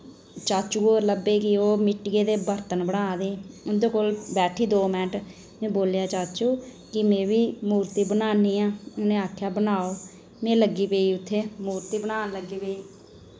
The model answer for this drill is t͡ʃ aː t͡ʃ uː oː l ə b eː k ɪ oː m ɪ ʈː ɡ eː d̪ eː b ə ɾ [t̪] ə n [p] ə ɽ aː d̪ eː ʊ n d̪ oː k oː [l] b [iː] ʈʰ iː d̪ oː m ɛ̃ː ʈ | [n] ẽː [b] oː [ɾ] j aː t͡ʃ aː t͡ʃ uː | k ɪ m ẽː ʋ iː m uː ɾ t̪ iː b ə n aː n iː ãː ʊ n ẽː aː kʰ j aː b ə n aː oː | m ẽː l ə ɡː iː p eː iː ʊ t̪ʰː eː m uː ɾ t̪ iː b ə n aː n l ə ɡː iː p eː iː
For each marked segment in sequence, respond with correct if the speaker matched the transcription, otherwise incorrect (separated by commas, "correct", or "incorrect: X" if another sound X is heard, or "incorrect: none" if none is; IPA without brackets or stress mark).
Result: correct, incorrect: b, correct, incorrect: ɛː, incorrect: m, correct, incorrect: l